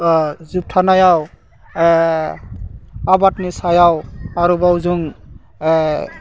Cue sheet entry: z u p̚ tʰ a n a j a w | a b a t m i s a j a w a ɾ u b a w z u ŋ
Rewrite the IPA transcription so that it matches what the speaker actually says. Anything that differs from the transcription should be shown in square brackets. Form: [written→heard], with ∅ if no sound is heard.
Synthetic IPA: z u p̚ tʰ a n a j a w | a b a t [m→n] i s a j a w a ɾ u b a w z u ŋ